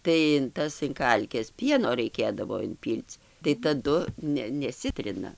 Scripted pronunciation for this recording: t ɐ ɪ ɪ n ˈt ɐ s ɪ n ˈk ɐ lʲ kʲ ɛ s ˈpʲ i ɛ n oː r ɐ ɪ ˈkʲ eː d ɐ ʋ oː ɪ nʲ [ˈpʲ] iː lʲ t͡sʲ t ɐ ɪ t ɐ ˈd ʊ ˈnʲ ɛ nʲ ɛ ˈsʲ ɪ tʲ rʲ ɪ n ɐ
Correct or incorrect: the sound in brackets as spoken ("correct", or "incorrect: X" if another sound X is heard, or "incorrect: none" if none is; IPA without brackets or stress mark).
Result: correct